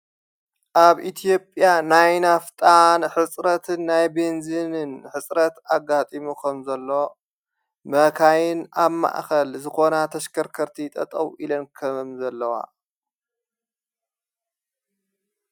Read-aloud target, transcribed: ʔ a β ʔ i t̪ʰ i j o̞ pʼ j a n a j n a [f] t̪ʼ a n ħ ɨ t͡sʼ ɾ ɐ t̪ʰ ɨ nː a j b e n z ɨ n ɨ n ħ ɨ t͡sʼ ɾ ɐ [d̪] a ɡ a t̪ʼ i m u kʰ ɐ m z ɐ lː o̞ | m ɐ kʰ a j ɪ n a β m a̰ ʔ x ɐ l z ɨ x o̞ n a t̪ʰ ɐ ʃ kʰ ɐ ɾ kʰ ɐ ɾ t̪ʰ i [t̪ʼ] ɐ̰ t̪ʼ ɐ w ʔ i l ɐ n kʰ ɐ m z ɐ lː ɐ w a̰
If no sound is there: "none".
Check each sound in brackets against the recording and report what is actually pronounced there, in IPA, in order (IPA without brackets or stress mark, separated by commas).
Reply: f, t̪, t̪ʼ